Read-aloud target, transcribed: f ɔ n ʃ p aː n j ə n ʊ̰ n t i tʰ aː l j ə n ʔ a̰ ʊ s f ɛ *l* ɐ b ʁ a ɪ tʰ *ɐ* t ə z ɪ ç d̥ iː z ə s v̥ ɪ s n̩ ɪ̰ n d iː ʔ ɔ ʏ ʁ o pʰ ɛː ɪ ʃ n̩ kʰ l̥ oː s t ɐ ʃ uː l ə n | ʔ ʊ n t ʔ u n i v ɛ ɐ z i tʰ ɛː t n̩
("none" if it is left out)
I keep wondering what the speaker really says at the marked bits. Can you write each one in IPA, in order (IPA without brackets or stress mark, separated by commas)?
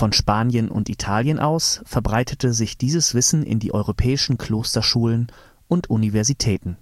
none, ə